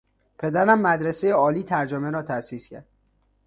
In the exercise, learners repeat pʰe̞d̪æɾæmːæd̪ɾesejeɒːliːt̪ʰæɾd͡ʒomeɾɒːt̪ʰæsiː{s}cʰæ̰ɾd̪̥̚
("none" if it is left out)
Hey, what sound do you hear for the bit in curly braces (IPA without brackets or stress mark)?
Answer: s